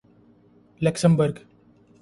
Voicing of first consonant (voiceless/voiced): voiced